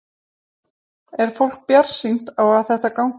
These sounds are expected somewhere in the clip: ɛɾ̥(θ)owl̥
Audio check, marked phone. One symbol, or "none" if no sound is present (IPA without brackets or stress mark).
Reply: f